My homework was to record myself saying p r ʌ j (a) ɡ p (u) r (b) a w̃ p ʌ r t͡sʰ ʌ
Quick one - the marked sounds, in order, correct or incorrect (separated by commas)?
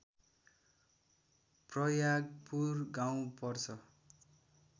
correct, correct, incorrect